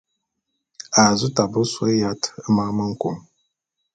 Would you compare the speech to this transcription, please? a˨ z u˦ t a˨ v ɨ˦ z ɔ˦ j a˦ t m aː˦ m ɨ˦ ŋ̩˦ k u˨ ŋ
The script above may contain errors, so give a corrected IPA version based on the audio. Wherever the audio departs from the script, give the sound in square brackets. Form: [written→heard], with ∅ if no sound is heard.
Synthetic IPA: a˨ z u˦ t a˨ [v→b] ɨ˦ [z→s] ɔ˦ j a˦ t m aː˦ m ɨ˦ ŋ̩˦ k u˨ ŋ